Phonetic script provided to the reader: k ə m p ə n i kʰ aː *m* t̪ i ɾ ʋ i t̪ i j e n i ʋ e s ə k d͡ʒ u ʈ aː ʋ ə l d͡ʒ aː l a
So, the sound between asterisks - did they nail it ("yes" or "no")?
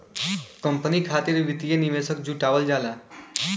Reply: no